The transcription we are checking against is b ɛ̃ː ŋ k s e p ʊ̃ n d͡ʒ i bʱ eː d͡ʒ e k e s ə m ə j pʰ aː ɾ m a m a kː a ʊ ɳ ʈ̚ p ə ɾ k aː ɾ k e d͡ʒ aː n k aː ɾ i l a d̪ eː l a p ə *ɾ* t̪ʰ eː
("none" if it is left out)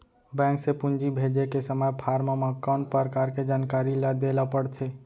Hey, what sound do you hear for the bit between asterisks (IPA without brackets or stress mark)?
ɽ